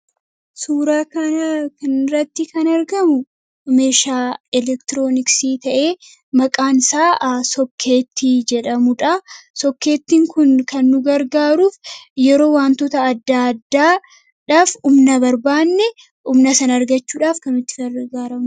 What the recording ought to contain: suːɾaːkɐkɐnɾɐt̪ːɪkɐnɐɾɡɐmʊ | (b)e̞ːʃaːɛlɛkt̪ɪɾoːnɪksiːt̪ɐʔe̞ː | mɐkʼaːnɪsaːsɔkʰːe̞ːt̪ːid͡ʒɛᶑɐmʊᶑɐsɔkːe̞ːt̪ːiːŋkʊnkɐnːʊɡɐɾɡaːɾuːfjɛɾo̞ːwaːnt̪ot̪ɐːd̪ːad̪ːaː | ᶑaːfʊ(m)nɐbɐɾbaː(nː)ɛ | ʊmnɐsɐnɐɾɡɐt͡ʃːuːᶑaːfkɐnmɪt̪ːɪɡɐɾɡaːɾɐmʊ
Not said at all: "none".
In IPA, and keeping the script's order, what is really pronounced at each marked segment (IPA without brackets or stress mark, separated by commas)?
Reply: m, m, nː